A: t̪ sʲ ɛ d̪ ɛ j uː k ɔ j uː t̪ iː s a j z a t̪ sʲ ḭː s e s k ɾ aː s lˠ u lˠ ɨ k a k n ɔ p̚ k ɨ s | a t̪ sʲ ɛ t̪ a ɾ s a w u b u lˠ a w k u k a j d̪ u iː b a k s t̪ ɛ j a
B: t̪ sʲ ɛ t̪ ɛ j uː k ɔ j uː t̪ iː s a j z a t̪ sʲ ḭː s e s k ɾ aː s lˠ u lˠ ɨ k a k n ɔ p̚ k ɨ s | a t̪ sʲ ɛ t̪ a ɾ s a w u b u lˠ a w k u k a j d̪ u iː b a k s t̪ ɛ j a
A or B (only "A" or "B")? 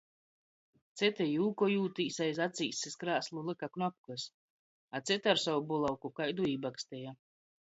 B